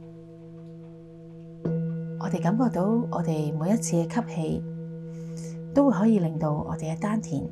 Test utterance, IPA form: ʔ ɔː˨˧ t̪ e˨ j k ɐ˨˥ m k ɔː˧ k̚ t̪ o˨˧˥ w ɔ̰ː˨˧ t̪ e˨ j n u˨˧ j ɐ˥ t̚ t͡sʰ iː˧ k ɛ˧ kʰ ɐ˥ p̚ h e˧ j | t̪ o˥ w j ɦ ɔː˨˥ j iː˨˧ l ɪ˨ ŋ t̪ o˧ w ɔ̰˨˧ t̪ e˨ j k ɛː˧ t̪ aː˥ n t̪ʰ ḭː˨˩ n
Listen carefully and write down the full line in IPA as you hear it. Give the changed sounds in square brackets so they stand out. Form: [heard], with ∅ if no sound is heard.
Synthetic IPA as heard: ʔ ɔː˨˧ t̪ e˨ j k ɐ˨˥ m k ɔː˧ k̚ t̪ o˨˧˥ w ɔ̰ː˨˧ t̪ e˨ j [m] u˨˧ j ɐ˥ t̚ t͡sʰ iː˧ k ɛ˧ kʰ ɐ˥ p̚ h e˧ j | t̪ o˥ w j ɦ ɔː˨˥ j iː˨˧ l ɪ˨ ŋ t̪ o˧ w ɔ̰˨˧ t̪ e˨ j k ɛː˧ t̪ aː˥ n t̪ʰ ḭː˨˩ n